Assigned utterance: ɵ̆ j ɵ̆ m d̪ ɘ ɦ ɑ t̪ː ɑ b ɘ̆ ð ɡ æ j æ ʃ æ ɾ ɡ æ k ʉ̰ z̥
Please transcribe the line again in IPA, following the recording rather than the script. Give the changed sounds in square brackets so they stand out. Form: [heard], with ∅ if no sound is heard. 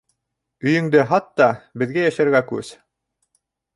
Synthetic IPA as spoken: ɵ̆ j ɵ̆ [ŋ] d̪ ɘ ɦ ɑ t̪ː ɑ b ɘ̆ ð ɡ æ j æ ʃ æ ɾ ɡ æ k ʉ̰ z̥